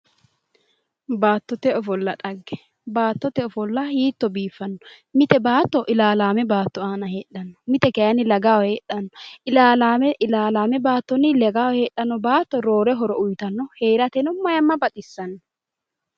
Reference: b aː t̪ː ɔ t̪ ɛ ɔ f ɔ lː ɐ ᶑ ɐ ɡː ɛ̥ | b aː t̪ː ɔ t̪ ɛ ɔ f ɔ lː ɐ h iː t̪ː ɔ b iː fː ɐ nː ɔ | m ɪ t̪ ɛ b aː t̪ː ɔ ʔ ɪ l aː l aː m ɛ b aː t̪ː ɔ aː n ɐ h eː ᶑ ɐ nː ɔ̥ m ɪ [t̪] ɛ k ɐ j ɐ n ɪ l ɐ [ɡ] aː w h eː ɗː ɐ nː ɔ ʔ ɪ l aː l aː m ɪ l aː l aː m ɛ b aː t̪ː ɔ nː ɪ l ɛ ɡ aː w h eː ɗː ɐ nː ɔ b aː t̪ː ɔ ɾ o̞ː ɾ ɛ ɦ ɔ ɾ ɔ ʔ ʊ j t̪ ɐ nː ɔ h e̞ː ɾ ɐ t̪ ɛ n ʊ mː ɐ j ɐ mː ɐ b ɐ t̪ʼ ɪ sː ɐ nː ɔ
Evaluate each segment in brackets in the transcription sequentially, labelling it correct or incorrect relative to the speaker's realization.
correct, correct

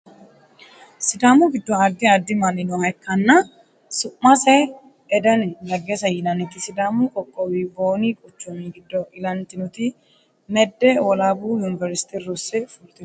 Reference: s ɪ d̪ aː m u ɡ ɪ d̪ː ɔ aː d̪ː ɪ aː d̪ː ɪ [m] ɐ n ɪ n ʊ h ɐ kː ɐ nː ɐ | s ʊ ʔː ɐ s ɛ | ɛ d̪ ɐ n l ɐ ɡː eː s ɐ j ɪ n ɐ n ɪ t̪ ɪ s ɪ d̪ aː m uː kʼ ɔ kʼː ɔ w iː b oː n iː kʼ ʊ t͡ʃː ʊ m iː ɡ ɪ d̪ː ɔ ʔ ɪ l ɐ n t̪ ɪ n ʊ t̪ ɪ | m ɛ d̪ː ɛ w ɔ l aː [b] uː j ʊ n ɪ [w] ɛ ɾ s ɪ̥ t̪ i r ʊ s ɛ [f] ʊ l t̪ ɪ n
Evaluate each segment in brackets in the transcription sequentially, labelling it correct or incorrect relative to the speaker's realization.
correct, correct, incorrect, correct

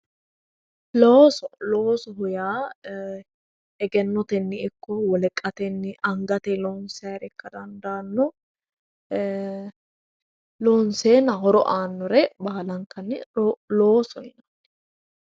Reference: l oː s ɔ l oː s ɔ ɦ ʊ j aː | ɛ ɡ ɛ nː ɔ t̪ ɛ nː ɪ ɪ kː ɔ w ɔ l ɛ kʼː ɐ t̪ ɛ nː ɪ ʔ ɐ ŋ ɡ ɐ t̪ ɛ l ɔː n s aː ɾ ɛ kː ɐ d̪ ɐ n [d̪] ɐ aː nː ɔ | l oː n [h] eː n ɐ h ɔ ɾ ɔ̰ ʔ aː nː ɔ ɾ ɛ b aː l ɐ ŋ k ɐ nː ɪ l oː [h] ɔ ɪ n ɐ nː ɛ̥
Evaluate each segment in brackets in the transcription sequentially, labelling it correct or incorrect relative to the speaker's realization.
correct, incorrect, incorrect

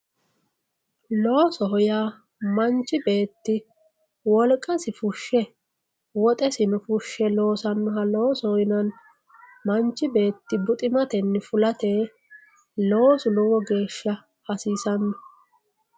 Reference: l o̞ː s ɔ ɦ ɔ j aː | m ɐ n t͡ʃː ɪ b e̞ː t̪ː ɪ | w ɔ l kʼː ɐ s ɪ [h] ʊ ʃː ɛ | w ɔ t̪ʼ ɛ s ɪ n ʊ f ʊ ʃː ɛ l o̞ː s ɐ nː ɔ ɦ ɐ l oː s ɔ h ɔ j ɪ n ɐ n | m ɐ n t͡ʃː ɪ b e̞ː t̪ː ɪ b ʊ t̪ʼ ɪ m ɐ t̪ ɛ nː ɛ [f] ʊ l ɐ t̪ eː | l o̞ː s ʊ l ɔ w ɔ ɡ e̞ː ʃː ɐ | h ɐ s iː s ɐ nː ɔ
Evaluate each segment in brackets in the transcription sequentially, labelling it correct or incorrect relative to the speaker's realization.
incorrect, correct

